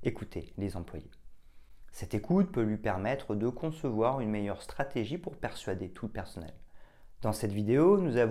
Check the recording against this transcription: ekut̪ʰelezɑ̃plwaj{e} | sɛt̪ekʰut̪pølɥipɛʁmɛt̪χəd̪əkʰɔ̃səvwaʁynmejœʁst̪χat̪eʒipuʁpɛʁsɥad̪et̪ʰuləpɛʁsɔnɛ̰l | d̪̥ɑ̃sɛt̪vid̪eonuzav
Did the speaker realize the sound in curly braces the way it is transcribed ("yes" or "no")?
yes